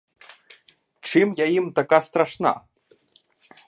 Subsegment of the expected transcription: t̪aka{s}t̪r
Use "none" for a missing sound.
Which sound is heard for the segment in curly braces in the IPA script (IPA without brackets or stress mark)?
s